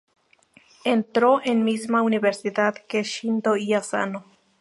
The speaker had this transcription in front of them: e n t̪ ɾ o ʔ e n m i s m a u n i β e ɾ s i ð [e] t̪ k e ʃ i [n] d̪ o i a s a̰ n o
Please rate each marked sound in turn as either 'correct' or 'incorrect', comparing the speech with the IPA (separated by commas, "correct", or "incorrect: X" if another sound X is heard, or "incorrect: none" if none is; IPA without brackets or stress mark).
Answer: incorrect: a, correct